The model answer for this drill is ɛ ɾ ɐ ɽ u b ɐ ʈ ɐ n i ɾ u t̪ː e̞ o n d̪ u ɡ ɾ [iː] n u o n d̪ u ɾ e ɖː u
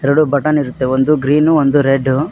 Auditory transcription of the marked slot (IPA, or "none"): iː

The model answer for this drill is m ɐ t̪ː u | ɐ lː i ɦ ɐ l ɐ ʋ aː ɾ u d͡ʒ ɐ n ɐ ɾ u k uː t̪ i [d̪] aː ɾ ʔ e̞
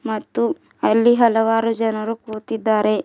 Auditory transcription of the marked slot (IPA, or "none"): d̪ː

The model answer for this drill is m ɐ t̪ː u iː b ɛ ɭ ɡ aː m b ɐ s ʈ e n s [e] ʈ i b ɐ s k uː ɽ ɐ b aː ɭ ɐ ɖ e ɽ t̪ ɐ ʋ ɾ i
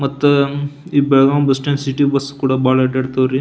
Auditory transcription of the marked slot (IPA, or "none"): i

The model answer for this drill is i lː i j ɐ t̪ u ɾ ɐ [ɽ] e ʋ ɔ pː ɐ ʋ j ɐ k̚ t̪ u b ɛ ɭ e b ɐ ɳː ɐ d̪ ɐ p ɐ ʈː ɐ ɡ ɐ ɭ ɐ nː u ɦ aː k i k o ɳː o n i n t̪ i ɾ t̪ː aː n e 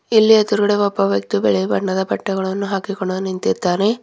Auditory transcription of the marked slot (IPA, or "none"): ɽ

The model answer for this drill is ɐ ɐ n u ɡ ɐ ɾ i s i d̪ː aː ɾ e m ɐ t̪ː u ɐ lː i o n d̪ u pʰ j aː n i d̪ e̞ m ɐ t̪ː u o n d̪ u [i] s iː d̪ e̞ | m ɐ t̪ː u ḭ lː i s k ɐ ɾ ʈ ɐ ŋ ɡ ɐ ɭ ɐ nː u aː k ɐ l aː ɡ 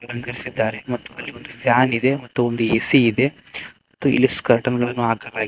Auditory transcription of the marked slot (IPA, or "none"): e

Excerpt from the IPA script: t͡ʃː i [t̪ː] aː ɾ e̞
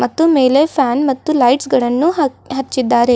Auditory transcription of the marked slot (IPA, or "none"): d̪ː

